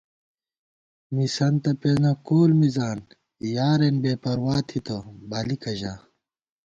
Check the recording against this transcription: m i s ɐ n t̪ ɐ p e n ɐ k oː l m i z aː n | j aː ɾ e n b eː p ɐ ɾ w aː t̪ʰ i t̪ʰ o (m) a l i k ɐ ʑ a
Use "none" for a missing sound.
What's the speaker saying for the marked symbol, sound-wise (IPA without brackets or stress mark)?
b